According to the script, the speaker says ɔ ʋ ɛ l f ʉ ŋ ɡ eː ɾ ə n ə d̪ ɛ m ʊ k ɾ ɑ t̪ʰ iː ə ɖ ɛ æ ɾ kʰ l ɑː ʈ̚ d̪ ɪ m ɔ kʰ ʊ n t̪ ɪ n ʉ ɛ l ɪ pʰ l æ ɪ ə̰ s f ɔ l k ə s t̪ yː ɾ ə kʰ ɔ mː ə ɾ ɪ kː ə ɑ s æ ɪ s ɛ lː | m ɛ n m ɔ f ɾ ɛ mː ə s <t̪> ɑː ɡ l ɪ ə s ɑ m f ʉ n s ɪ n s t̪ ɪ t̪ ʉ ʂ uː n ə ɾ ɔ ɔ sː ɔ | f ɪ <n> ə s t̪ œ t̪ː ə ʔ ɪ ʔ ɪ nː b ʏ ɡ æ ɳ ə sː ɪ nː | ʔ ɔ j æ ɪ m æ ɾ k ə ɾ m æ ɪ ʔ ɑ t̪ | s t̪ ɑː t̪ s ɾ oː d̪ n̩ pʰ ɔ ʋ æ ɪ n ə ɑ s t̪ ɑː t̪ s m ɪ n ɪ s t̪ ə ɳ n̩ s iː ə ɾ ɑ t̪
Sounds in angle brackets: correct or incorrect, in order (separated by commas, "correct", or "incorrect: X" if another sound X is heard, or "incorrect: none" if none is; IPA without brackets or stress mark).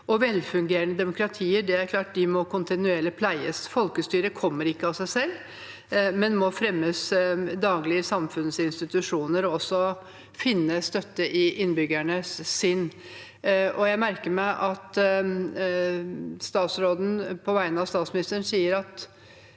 incorrect: d̪, incorrect: nː